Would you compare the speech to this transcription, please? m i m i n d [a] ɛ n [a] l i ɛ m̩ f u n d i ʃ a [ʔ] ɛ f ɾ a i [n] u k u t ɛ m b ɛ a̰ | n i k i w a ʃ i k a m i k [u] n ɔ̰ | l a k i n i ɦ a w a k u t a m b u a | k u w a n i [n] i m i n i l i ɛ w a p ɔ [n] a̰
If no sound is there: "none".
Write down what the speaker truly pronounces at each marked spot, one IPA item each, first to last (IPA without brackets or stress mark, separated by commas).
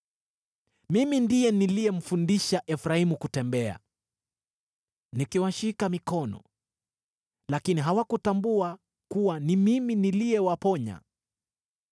i, i, ʔ, m, ɔ, m, ɲ